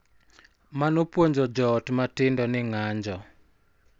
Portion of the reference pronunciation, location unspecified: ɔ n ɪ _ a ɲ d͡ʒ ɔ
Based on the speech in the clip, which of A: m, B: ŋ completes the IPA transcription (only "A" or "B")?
B